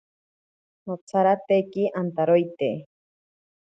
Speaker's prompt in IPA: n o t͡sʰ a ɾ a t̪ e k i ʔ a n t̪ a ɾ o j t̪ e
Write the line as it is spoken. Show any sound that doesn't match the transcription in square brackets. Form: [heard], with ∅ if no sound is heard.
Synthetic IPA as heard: n o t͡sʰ a ɾ a t̪ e k i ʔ a n t̪ a ɾ o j t̪ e